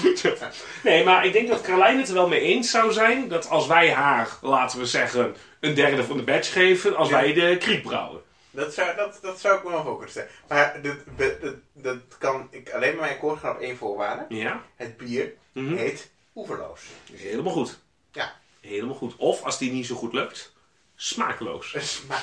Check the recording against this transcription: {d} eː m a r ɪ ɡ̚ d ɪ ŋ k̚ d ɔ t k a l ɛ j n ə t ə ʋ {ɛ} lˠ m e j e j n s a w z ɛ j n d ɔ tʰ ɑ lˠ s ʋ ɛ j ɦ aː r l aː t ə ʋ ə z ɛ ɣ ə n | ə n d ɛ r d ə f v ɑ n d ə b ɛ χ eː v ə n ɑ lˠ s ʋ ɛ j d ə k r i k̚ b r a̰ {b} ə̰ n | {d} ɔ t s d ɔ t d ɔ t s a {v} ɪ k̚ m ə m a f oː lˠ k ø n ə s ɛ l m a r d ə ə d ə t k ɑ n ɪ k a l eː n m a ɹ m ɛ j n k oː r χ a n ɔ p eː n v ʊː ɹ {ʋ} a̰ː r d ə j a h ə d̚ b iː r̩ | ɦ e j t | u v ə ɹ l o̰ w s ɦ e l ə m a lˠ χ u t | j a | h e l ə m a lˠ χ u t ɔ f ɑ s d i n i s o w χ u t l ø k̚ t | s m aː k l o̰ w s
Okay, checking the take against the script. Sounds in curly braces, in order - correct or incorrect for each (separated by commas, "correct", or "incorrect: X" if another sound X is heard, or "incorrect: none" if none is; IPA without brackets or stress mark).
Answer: incorrect: n, correct, incorrect: w, correct, incorrect: w, correct